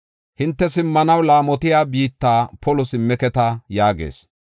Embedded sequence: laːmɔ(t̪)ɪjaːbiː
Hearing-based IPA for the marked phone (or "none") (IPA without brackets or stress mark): t̪